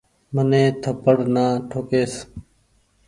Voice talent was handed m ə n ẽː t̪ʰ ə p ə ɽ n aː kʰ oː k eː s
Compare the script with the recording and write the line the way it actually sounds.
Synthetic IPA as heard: m ə n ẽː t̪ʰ ə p ə ɽ n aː ʈʰ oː k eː s